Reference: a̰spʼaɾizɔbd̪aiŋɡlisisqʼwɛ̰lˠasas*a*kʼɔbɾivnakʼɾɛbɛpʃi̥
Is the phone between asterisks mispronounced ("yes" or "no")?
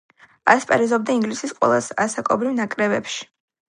no